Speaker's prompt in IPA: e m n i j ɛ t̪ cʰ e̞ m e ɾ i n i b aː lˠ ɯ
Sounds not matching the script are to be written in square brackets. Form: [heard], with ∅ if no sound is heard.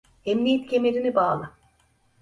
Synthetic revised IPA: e m n i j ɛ t̪ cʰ e̞ m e ɾ i n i b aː lˠ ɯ

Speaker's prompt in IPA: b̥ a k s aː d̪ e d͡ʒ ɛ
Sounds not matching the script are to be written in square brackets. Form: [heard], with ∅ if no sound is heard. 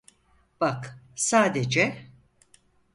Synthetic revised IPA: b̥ a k s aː d̪ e d͡ʒ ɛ

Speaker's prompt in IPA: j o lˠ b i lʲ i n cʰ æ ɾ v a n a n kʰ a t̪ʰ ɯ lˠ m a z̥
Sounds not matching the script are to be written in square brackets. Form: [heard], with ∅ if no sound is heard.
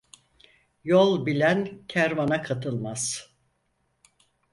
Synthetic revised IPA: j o lˠ b i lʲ [æ] n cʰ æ ɾ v a n a [∅] kʰ a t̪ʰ ɯ lˠ m a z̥

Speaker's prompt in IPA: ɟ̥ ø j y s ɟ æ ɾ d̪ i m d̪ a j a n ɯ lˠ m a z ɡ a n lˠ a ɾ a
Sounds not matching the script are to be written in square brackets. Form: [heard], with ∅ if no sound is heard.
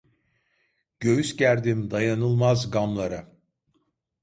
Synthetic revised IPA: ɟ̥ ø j y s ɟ æ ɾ d̪ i m d̪ a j a n ɯ lˠ m a z ɡ a [m] lˠ a ɾ a

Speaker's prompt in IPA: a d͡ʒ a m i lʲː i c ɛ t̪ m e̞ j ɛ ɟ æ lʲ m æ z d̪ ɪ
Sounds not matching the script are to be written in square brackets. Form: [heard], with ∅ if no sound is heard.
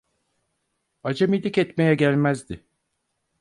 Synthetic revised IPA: a d͡ʒ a m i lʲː i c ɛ t̪ m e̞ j ɛ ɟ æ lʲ m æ z d̪ ɪ

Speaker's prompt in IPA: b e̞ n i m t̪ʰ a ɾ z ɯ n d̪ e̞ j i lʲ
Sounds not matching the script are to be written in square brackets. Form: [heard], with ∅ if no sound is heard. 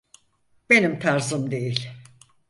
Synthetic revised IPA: b e̞ n i m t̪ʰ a ɾ z ɯ [m] d̪ e̞ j i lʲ

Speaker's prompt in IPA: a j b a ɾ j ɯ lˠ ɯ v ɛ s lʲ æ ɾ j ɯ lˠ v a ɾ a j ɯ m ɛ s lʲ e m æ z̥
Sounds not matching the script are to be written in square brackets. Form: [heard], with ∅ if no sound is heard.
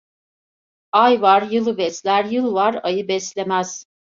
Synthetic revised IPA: a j [v] a ɾ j ɯ lˠ ɯ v ɛ s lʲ æ ɾ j ɯ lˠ v a ɾ a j ɯ [b] ɛ s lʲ e m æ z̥

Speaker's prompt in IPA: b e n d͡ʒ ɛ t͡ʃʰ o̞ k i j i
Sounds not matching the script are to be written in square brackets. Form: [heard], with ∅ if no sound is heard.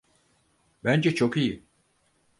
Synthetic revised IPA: b [æ] n d͡ʒ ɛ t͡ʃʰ o̞ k i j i

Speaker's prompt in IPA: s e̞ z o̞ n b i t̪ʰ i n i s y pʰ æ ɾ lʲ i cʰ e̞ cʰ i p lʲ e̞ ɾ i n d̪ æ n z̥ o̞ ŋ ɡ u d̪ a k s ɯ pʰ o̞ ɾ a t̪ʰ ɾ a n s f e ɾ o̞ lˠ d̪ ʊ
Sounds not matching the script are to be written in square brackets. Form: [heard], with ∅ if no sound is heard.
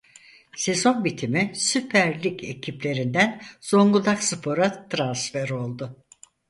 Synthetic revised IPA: s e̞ z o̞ n b i t̪ʰ i [m] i s y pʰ æ ɾ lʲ i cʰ e̞ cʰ i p lʲ e̞ ɾ i n d̪ æ n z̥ o̞ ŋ ɡ u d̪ a k s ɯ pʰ o̞ ɾ a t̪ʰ ɾ a n s f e ɾ o̞ lˠ d̪ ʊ

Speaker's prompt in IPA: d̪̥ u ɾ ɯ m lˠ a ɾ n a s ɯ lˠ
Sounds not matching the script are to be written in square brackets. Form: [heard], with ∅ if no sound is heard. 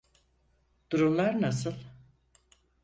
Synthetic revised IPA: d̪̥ u ɾ [u] m lˠ a ɾ n a s ɯ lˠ

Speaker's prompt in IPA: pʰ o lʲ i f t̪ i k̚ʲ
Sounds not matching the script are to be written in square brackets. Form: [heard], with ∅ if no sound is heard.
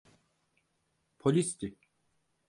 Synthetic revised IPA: pʰ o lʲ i [s] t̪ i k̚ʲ

